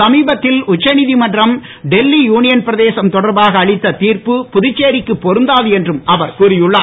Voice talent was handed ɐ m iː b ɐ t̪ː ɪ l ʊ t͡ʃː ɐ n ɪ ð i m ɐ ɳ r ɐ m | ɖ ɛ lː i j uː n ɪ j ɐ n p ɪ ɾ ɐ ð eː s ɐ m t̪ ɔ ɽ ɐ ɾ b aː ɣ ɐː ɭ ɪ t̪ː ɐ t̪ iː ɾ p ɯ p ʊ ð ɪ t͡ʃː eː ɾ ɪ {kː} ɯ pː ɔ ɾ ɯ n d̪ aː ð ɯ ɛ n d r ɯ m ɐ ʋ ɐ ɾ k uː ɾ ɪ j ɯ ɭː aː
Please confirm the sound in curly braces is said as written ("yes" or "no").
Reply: yes